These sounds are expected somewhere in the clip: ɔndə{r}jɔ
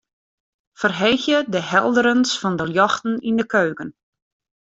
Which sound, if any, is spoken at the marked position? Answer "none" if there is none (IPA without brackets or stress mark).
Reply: l